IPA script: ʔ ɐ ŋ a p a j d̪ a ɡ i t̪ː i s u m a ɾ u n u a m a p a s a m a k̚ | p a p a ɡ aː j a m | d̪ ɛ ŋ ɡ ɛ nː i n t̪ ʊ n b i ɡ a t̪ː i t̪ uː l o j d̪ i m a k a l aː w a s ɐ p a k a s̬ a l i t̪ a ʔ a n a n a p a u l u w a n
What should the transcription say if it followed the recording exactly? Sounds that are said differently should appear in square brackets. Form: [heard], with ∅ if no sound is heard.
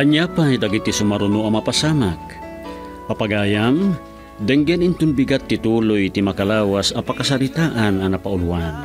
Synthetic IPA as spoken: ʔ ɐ [ɲ] a p a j d̪ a ɡ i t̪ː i s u m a ɾ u n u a m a p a s a m a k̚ | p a p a ɡ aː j a m | d̪ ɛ ŋ ɡ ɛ [n] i n t̪ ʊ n b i ɡ a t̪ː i t̪ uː l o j [t̪] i m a k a l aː w a s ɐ p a k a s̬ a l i t̪ a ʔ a n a n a p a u l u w a n